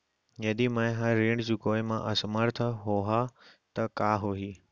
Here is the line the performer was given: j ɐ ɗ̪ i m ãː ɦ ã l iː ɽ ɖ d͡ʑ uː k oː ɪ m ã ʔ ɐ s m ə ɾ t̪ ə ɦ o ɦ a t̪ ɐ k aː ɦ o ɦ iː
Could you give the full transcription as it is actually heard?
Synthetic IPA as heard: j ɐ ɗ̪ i m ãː ɦ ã ɾ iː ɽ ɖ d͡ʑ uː k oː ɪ m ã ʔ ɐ s m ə ɾ t̪ʰ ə ɦ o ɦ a t̪ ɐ k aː ɦ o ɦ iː

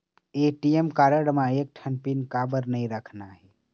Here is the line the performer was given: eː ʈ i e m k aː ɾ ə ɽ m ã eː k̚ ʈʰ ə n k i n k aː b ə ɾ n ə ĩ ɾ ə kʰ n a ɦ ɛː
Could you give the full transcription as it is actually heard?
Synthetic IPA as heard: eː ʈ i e m k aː ɾ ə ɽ m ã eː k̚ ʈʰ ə n p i n k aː b ə ɾ n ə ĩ ɾ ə kʰ n a ɦ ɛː

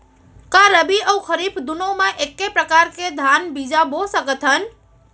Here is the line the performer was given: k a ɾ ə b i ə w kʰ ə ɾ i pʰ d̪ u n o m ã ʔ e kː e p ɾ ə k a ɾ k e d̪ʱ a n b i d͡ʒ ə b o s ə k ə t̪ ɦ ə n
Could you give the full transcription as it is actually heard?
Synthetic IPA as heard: k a ɾ ə b i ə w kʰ ə ɾ i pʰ d̪ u n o m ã ʔ e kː e p ɾ ə k a ɾ k e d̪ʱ a n b i d͡ʒ a b o s ə k ə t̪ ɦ ə n

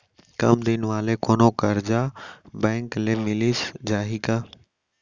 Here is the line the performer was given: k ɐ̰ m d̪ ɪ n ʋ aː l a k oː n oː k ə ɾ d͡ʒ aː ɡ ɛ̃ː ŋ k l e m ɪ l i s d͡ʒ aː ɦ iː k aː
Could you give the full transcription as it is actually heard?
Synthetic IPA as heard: k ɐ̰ m d̪ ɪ n ʋ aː l e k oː n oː k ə ɾ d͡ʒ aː b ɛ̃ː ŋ k l e m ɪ l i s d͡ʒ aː ɦ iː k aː

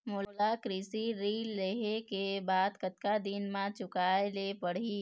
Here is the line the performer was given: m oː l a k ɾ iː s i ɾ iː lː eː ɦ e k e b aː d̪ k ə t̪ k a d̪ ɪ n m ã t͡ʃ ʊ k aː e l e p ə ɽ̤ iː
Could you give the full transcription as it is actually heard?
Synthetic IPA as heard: m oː l a k ɾ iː s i ɾ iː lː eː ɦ e k e b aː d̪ k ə t̪ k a d̪ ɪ n m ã t͡ʃ ʊ k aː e l e p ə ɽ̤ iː

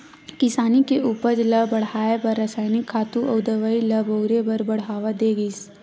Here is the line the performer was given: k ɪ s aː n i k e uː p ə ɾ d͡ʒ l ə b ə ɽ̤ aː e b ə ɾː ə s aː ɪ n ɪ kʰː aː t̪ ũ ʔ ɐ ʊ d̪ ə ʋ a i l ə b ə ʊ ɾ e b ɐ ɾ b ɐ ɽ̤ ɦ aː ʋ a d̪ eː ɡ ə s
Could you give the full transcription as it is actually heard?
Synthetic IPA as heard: k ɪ s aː n i k e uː p ə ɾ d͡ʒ l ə b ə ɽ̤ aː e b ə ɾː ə s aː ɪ n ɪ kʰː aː t̪ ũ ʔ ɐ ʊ d̪ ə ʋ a i l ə b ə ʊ ɾ e b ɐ ɾ b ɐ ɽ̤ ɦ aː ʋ a d̪ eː ɡ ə s

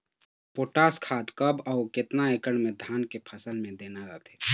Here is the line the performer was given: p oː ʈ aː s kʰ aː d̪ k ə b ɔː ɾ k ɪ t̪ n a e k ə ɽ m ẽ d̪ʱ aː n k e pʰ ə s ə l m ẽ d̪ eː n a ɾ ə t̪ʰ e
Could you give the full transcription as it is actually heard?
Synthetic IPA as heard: p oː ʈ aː s kʰ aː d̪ k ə b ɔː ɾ k ɪ t̪ n a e k ə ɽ m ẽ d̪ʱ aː n k e pʰ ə s ə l m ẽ d̪ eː n a ɾ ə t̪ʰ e

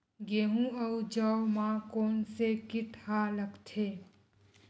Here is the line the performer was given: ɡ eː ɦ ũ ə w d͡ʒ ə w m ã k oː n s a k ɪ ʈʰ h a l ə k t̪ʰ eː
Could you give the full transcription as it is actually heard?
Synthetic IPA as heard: ɡ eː ɦ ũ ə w d͡ʒ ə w m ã k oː n s e k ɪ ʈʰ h a l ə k t̪ʰ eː

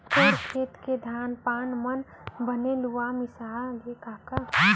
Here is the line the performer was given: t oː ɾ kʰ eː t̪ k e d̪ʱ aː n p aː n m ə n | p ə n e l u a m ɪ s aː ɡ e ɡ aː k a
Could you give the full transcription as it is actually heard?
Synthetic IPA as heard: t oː ɾ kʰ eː t̪ k e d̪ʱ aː n p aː n m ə n | b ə n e l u a m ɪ s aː ɡ e k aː k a

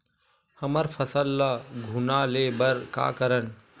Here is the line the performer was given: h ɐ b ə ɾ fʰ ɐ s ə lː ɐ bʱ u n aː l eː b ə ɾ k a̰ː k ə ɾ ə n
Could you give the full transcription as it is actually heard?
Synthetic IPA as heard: h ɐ m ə ɾ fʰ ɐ s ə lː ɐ ɡʱ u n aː l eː b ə ɾ k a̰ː k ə ɾ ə n

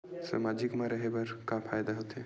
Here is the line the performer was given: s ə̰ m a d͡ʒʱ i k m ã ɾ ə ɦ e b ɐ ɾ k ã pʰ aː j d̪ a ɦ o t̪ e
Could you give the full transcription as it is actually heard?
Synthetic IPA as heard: s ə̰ m a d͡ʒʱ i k m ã ɾ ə ɦ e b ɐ ɾ k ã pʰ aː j d̪ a ɦ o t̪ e

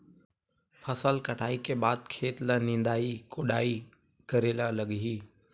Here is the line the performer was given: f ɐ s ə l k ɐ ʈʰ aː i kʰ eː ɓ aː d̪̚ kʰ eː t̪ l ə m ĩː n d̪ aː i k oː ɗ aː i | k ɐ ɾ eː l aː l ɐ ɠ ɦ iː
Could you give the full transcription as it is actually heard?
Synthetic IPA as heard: f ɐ s ə l k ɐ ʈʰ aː i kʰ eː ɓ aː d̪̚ kʰ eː t̪ l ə n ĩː n d̪ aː i k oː ɗ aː i | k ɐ ɾ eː l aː l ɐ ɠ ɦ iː

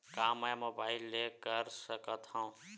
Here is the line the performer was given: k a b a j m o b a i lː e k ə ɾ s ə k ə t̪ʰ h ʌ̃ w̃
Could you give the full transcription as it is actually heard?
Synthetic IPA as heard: k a m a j m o b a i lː e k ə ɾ s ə k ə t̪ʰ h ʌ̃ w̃

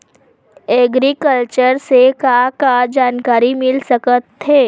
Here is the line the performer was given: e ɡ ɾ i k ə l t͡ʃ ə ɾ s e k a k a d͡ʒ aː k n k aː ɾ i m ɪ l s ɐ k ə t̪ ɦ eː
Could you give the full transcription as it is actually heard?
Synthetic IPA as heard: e ɡ ɾ i k ə l t͡ʃ ə ɾ s e k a k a d͡ʒ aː n k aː ɾ i m ɪ l s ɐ k ə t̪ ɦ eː

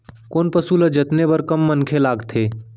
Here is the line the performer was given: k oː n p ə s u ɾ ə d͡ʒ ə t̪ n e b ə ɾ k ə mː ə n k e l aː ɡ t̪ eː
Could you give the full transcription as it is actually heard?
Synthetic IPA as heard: k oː n p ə s u l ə d͡ʒ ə t̪ n e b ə ɾ k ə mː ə n kʰ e l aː ɡ t̪ʰ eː

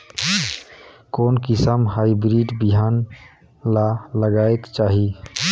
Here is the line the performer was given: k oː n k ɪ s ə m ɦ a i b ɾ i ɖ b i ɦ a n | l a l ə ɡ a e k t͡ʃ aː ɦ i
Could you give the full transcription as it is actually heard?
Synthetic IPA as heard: k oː n k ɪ s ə m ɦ a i b ɾ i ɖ b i ɦ a n | l a l ə ɡ a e k t͡ʃ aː ɦ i

